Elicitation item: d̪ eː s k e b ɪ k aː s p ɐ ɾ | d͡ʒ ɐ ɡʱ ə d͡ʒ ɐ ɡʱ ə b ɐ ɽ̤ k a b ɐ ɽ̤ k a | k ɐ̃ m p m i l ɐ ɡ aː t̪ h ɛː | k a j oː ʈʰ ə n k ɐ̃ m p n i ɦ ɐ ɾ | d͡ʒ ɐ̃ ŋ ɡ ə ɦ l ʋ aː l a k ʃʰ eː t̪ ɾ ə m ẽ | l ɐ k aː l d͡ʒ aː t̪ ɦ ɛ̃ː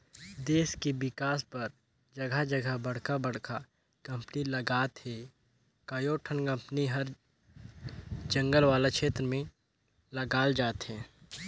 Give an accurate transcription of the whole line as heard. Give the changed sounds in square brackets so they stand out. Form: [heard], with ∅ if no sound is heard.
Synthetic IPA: d̪ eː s k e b ɪ k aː s p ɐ ɾ | d͡ʒ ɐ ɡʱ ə d͡ʒ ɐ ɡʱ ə b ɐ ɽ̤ k a b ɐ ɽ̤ k a | k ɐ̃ m p [n] i l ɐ ɡ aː t̪ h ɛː | k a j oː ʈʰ ə n k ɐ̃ m p n i ɦ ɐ ɾ | d͡ʒ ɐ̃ ŋ ɡ ə [∅] l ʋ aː l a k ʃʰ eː t̪ ɾ ə m ẽ | l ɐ [ɡ] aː l d͡ʒ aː t̪ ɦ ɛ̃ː